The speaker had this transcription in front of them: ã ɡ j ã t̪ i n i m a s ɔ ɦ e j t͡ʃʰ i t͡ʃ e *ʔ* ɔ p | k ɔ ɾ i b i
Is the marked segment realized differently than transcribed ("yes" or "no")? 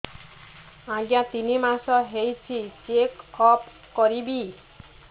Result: yes